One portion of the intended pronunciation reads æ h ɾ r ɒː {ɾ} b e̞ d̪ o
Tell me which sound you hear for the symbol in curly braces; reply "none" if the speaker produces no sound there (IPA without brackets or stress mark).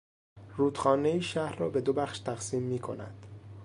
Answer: none